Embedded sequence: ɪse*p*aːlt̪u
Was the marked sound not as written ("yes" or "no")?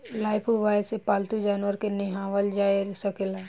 no